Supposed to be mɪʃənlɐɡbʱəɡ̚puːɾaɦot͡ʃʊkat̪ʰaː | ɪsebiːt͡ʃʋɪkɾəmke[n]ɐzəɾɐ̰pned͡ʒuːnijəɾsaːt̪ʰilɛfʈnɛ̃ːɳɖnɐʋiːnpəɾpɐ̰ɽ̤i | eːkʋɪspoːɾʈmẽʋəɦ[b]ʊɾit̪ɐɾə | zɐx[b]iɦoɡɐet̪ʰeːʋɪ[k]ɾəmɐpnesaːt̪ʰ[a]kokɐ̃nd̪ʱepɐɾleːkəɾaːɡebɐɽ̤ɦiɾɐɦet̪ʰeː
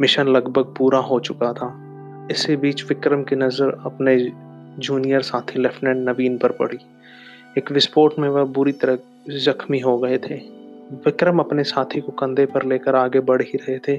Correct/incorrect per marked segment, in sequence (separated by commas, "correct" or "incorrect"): correct, correct, incorrect, correct, incorrect